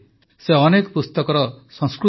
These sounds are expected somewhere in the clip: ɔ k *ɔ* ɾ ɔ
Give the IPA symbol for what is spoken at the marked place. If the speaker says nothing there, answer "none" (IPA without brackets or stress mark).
ɔ